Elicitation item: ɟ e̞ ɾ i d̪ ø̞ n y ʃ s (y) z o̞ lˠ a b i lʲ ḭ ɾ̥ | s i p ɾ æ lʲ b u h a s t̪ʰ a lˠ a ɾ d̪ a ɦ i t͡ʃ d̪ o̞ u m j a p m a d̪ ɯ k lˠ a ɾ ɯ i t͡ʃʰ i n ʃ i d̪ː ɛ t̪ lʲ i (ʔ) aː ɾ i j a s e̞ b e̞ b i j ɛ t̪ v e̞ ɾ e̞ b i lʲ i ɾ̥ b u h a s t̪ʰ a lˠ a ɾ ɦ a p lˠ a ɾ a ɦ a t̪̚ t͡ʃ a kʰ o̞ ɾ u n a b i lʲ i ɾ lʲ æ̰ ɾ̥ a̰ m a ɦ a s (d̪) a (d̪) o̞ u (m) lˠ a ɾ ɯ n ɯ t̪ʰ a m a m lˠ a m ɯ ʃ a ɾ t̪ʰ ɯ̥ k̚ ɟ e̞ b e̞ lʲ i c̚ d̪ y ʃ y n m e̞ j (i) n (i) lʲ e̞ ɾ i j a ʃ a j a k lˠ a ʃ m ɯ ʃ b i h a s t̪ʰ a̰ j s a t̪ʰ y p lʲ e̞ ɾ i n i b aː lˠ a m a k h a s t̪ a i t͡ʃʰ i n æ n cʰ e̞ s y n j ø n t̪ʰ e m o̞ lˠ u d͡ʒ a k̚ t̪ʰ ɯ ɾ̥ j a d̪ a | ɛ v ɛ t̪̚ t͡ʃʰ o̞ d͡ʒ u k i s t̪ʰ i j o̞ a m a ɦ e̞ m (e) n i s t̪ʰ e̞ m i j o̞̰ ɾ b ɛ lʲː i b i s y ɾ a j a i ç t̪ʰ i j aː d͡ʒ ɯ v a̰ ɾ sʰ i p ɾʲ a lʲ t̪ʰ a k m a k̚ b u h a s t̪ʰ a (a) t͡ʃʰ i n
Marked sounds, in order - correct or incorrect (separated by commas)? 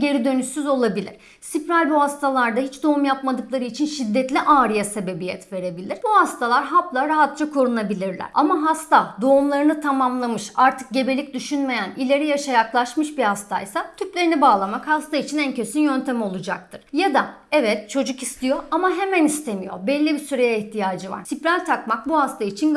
correct, correct, incorrect, correct, correct, incorrect, correct, incorrect, incorrect